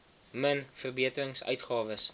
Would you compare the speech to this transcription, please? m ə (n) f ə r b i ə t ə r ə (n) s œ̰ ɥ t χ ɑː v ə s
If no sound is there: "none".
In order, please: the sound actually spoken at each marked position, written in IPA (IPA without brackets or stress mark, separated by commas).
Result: n, ŋ